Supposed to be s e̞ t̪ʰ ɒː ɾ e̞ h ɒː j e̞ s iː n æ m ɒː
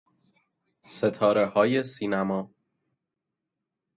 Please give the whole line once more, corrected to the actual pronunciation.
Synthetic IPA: s e̞ t̪ʰ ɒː ɾ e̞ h ɒː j e̞ s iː n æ m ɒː